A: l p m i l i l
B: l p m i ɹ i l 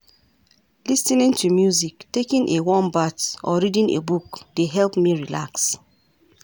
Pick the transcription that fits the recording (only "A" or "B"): B